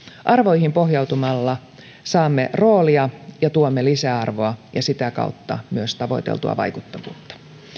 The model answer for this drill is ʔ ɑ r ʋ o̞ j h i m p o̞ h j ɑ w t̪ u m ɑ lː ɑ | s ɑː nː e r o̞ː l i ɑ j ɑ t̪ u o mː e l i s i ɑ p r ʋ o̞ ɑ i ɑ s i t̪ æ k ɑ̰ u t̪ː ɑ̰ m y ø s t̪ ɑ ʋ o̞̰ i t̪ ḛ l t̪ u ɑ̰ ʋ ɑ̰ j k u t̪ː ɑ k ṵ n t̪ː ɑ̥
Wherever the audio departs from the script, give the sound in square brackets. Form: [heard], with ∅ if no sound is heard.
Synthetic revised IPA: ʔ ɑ r ʋ o̞ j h i m p o̞ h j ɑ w t̪ u m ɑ lː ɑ | s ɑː [mː] e r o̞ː l i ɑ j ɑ t̪ u o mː e l i s [æ] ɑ [∅] r ʋ o̞ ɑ [j] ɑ s i t̪ æ k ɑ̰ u t̪ː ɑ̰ m y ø s t̪ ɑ ʋ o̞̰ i t̪ ḛ l t̪ u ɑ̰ ʋ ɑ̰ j k u t̪ː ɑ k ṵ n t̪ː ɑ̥